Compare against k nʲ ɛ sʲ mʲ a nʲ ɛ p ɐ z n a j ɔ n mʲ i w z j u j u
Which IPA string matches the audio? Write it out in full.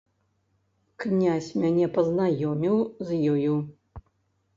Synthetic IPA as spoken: k nʲ a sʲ mʲ a nʲ ɛ p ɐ z n a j ɔ mʲ i w z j ɔ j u